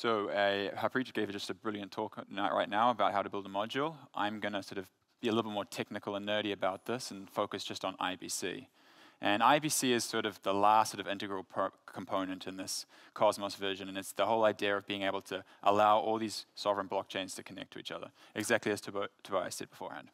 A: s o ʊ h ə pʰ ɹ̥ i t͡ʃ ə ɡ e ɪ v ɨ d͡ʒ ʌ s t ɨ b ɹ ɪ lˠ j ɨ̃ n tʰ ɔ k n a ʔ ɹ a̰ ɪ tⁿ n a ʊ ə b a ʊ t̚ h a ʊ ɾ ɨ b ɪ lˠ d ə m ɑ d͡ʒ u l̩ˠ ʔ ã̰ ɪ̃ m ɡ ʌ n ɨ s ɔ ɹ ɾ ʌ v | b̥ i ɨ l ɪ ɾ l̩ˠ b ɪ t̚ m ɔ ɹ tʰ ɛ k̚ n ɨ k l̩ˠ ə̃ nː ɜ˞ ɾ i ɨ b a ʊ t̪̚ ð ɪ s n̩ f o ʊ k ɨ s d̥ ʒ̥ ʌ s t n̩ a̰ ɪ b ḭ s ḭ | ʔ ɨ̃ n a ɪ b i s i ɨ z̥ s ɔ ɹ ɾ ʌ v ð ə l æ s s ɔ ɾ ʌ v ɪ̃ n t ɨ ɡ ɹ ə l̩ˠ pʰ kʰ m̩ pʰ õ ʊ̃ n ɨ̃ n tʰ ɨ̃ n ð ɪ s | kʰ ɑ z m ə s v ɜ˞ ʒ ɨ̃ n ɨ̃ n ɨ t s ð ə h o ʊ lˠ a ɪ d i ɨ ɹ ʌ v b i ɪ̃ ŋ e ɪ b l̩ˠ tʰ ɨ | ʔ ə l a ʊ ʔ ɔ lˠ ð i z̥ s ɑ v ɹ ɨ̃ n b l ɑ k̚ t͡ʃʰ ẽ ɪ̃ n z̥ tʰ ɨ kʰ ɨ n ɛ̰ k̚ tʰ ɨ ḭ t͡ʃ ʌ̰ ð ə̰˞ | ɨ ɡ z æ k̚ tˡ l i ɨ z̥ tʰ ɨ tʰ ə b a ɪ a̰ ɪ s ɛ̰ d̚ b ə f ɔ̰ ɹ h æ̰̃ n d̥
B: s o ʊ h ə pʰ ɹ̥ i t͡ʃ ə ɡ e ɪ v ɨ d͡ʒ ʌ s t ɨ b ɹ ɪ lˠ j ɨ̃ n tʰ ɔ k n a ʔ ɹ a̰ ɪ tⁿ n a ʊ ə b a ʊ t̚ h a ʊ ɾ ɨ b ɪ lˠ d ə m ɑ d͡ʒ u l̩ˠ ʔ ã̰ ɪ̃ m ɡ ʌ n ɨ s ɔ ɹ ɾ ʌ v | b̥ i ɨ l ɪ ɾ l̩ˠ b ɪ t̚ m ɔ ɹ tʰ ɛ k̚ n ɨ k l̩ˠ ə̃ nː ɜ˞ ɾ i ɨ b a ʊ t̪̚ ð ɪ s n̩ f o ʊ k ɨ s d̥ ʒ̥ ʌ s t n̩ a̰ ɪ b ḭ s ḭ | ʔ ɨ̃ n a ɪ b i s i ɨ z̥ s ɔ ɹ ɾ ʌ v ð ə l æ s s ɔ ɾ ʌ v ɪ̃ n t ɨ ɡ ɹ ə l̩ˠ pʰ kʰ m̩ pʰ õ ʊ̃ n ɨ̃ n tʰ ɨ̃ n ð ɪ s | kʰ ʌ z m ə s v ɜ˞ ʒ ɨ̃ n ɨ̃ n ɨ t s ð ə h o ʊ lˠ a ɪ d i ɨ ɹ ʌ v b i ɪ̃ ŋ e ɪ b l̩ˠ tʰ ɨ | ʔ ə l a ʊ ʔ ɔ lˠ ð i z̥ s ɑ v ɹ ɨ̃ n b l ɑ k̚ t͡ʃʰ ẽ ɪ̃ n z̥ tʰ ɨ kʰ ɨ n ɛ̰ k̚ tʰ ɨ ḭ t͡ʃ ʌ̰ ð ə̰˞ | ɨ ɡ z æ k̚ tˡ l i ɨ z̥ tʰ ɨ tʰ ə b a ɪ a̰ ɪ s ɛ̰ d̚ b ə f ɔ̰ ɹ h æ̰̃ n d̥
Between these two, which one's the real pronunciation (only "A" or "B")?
A